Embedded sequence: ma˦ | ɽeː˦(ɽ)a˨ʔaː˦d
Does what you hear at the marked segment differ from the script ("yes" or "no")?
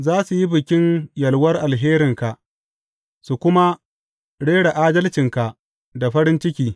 no